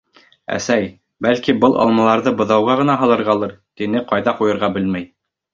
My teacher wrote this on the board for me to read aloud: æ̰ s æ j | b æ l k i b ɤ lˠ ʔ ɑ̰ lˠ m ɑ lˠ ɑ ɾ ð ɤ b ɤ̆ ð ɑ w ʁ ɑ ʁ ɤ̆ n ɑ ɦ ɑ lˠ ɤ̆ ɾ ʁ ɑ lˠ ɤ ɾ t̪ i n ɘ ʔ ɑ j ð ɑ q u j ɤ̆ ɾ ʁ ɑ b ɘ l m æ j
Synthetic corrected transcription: æ̰ s æ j | b æ l k i b ɤ lˠ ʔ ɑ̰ lˠ m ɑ lˠ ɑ ɾ ð ɤ b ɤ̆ ð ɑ w ʁ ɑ ʁ ɤ̆ n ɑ ɦ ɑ lˠ ɤ̆ ɾ ʁ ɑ lˠ ɤ ɾ t̪ i n ɘ q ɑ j ð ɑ q u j ɤ̆ ɾ ʁ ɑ b ɘ l m æ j